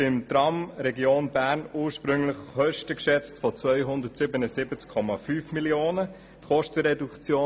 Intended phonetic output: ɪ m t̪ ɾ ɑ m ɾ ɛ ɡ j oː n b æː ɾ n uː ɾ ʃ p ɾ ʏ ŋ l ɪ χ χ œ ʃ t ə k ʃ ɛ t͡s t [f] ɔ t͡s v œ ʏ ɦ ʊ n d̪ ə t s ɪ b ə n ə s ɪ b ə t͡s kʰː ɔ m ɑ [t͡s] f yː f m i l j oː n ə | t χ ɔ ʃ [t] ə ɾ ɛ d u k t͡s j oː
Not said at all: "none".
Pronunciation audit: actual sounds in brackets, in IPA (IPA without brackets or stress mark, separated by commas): f, none, t